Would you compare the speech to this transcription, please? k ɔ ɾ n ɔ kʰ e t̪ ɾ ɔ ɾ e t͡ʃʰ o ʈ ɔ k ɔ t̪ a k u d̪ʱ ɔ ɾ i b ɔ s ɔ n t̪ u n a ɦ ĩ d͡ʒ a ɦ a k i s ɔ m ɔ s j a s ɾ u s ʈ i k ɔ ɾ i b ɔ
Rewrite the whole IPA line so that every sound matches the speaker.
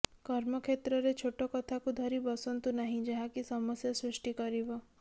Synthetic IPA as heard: k ɔ ɾ m ɔ kʰ e t̪ ɾ ɔ ɾ e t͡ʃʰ o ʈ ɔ k ɔ t̪ʰ a k u d̪ʱ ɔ ɾ i b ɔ s ɔ n t̪ u n a ɦ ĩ d͡ʒ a ɦ a k i s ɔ m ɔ s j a s ɾ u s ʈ i k ɔ ɾ i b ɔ